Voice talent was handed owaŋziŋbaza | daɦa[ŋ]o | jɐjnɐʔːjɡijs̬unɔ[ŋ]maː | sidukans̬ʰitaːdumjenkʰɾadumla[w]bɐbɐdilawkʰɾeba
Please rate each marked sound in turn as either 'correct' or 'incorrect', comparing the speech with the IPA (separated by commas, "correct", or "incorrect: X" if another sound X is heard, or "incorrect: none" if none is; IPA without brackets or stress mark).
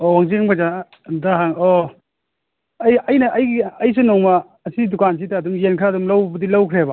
correct, correct, correct